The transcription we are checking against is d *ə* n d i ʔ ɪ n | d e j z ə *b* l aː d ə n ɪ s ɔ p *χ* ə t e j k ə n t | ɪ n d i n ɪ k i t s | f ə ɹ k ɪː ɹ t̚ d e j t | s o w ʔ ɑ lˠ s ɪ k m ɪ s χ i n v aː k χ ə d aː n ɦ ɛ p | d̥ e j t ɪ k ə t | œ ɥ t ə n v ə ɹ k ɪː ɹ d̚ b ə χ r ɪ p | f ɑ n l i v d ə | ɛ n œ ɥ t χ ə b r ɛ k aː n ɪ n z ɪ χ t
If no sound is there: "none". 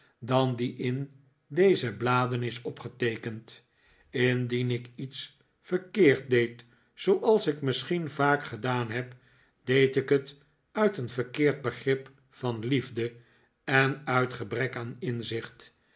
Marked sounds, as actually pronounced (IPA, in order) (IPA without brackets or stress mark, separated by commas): ɑ, b, χ